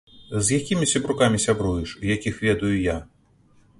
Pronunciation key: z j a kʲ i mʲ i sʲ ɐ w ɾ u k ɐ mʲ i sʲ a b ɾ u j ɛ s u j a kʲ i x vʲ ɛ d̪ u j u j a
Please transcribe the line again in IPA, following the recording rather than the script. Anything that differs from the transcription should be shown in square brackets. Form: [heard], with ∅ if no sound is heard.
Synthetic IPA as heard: z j a kʲ i mʲ i sʲ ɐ [b] ɾ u k [a] mʲ i sʲ a b ɾ u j ɛ [ʂ] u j a kʲ i x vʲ ɛ d̪ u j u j a

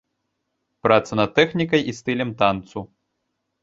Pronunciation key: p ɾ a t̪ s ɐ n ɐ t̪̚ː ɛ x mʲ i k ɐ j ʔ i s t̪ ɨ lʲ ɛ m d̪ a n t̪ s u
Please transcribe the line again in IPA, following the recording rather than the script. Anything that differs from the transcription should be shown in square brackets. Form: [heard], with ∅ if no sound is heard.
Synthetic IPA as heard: p ɾ a t̪ s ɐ n ɐ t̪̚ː ɛ x [nʲ] i k ɐ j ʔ i s t̪ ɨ lʲ ɛ m [t̪] a n t̪ s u

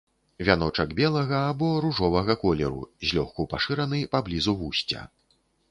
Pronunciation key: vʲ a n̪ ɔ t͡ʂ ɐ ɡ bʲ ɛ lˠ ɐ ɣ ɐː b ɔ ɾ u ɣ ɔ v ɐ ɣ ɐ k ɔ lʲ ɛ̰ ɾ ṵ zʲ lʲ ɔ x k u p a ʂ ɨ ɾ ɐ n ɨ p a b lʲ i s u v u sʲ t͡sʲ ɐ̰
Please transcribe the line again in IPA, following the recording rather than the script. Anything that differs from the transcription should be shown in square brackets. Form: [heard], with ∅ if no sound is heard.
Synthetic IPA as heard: vʲ a n̪ ɔ t͡ʂ ɐ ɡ bʲ ɛ lˠ ɐ ɣ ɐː b ɔ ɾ u [ʐ] ɔ v ɐ ɣ ɐ k ɔ lʲ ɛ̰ ɾ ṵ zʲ lʲ ɔ x k u p a ʂ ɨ ɾ ɐ n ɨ p a b lʲ i [z] u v u sʲ t͡sʲ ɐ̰

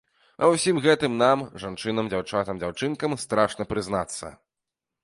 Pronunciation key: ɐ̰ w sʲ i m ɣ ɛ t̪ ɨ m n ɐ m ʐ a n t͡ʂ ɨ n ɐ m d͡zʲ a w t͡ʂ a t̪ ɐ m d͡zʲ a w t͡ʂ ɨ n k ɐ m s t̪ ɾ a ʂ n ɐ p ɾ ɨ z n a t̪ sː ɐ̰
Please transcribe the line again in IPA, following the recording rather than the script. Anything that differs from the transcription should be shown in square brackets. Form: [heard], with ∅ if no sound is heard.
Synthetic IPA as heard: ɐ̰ w sʲ i m ɣ ɛ t̪ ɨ m n [a] m ʐ a n t͡ʂ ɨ n ɐ m d͡zʲ a w t͡ʂ a t̪ ɐ m d͡zʲ a w t͡ʂ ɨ n k ɐ m s t̪ ɾ a ʂ n ɐ p ɾ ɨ z n a t̪ sː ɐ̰

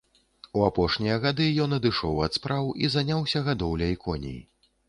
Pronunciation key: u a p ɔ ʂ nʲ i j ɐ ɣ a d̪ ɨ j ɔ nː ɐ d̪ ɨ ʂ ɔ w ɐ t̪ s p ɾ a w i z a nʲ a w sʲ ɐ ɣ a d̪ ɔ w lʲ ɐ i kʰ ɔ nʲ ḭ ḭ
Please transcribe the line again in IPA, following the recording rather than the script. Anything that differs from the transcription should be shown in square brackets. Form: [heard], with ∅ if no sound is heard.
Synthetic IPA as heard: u a p ɔ ʂ nʲ i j ɐ ɣ a d̪ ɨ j ɔ [n] ɐ d̪ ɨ ʂ ɔ w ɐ t̪ s p ɾ a w i z a nʲ a w sʲ ɐ ɣ a d̪ ɔ w lʲ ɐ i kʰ ɔ nʲ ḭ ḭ

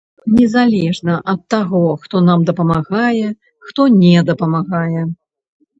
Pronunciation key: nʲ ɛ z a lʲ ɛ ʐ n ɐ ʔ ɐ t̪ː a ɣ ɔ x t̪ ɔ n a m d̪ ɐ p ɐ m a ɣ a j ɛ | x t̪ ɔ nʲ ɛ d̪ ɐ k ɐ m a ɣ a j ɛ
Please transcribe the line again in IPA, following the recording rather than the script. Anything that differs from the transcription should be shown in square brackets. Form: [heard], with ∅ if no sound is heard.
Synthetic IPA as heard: nʲ ɛ z a lʲ ɛ ʐ n ɐ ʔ ɐ t̪ː a ɣ ɔ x t̪ ɔ n a m d̪ ɐ p ɐ m a ɣ a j ɛ | x t̪ ɔ nʲ ɛ d̪ ɐ [p] ɐ m a ɣ a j ɛ

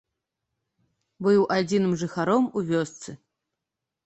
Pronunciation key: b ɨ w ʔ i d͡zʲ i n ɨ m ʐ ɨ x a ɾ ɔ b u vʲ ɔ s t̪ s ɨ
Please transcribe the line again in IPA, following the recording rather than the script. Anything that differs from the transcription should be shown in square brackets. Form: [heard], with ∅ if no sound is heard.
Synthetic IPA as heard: b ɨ w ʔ [a] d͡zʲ i n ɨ m ʐ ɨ x a ɾ ɔ [m] u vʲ ɔ s t̪ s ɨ

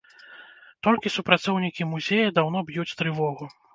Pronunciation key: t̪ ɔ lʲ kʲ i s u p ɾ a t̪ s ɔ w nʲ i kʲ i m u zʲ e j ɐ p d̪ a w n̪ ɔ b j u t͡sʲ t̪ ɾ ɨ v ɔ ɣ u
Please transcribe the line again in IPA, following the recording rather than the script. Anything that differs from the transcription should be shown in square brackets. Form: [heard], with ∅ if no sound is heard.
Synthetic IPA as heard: t̪ ɔ lʲ kʲ i s u p ɾ a t̪ s ɔ w nʲ i kʲ i m u zʲ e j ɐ [∅] d̪ a w n̪ ɔ b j u t͡sʲ t̪ ɾ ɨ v ɔ ɣ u

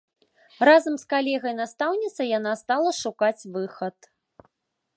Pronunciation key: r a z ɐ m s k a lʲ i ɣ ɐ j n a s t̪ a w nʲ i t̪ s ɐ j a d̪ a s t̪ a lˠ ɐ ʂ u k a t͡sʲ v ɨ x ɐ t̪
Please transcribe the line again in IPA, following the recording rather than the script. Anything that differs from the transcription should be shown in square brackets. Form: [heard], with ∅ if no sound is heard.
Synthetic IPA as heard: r a z ɐ m s k a lʲ [ɛ] ɣ ɐ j n a s t̪ a w nʲ i t̪ s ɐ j a [n̪] a s t̪ a lˠ ɐ ʂ u k a t͡sʲ v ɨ x ɐ t̪

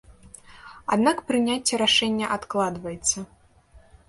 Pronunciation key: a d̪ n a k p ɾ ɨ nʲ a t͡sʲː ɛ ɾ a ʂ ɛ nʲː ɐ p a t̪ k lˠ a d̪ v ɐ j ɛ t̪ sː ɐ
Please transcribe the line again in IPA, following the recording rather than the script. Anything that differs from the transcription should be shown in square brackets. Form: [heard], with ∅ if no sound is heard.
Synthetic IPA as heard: a d̪ n a k p ɾ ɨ nʲ a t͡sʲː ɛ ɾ a ʂ ɛ nʲː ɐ [ʔ] a t̪ k lˠ a d̪ v ɐ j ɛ t̪ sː ɐ

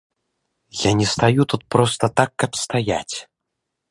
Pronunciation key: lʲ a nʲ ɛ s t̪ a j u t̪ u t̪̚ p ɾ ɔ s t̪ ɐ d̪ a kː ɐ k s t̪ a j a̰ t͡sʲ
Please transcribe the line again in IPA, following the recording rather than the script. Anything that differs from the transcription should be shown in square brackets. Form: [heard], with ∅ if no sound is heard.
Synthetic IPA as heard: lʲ a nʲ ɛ s t̪ a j u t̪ u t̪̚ p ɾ ɔ s t̪ ɐ [t̪] a kː ɐ [p] s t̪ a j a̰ t͡sʲ

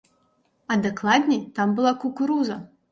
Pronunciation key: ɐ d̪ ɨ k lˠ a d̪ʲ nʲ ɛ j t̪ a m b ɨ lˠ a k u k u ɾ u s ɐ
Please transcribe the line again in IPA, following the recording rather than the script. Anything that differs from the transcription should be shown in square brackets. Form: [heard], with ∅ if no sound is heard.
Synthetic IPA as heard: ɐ d̪ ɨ k lˠ a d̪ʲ nʲ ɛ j t̪ a m b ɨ lˠ a k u k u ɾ u [z] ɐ

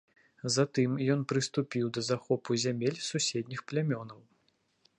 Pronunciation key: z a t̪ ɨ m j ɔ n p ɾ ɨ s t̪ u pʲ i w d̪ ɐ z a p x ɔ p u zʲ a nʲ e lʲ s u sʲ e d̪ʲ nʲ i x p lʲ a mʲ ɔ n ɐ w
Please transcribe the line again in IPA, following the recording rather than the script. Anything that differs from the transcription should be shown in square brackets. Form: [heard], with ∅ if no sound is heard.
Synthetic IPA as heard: z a t̪ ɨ m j ɔ n p ɾ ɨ s t̪ u pʲ i w d̪ ɐ z a [∅] x ɔ p u zʲ a [mʲ] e lʲ s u sʲ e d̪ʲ nʲ i x p lʲ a mʲ ɔ n ɐ w

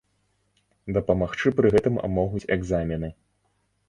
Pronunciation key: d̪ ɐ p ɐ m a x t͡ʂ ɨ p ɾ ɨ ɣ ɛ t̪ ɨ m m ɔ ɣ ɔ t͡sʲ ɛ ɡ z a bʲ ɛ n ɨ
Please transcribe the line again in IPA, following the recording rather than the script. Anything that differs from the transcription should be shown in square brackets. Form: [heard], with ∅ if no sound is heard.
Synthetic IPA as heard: d̪ ɐ p ɐ m a x t͡ʂ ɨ p ɾ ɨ ɣ ɛ t̪ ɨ m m ɔ ɣ [u] t͡sʲ ɛ ɡ z a [mʲ] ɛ n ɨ

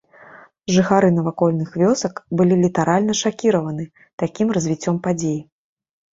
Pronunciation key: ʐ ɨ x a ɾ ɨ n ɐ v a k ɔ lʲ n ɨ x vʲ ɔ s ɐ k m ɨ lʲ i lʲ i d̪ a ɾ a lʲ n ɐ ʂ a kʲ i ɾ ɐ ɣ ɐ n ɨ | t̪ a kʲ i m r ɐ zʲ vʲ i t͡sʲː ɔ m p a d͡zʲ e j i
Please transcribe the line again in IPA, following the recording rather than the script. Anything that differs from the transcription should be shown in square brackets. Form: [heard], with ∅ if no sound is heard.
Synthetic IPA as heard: ʐ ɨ x a ɾ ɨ n ɐ v a k ɔ lʲ n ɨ x vʲ ɔ s ɐ k [b] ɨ lʲ i lʲ i [t̪] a ɾ a lʲ n ɐ ʂ a kʲ i ɾ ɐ [v] ɐ n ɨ | t̪ a kʲ i m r ɐ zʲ vʲ i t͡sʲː ɔ m p a d͡zʲ e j i

